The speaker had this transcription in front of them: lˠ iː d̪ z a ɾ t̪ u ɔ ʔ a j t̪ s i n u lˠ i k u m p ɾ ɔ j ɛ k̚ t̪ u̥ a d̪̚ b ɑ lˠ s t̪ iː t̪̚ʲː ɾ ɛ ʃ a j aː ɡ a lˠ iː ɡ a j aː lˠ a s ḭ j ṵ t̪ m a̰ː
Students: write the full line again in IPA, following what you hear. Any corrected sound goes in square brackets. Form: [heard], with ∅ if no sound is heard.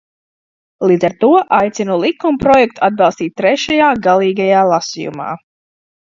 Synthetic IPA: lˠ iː d̪ z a ɾ t̪ u ɔ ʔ a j t̪ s i n u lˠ i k u m p ɾ ɔ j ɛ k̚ t̪ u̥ a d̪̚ b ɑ lˠ s t̪ iː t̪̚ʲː ɾ ɛ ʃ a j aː ɡ a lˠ iː ɡ a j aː lˠ a s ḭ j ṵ [∅] m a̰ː